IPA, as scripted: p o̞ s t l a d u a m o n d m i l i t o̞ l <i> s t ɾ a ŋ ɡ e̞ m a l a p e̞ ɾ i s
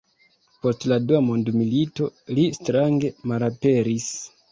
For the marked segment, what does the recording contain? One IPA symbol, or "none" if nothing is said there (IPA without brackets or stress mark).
i